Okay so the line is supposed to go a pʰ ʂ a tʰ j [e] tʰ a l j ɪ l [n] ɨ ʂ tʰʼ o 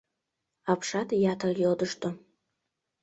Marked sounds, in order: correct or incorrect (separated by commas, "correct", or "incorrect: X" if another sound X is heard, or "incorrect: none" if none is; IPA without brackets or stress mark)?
incorrect: a, incorrect: d